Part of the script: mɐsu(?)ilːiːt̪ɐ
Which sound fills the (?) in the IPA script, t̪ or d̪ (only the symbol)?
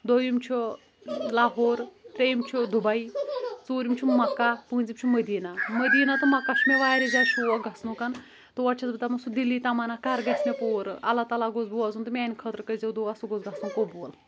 d̪